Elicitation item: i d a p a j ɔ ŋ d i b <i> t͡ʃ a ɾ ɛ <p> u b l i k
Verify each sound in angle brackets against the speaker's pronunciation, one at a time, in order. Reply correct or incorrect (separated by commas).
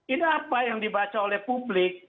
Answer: incorrect, correct